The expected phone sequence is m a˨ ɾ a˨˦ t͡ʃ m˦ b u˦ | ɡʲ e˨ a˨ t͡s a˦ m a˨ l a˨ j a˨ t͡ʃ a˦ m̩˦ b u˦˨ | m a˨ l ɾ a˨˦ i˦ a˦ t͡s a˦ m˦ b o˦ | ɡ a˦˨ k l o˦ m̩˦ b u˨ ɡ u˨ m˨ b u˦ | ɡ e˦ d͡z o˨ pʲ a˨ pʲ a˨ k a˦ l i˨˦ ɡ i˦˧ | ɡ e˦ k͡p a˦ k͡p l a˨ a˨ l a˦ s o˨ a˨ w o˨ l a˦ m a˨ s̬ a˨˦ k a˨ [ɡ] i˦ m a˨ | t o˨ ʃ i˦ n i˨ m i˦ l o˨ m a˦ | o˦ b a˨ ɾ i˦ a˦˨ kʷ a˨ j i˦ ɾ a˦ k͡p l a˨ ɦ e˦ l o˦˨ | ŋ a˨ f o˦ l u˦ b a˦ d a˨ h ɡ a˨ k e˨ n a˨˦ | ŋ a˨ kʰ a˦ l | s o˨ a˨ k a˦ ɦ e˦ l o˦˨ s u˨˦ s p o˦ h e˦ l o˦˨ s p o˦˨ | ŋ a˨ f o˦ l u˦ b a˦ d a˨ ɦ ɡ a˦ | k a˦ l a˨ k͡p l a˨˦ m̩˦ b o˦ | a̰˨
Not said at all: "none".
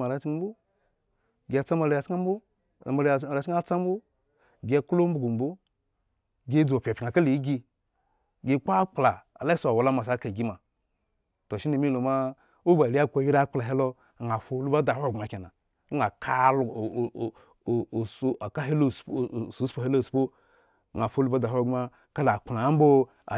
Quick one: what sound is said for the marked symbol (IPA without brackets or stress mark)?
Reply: ɡ